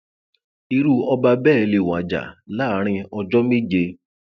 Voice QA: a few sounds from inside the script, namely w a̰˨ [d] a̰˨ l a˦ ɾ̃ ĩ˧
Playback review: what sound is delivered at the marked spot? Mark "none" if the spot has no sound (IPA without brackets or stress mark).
d͡ʒ